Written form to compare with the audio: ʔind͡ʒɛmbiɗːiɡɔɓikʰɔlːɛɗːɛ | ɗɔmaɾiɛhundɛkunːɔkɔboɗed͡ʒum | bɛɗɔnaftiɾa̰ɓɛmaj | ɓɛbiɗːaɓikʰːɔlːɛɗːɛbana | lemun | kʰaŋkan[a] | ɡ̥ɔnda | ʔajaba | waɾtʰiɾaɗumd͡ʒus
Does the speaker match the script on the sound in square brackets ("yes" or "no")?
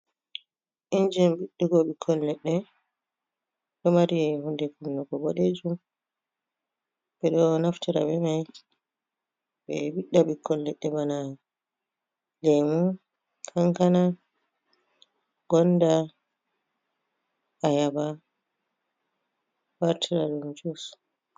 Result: yes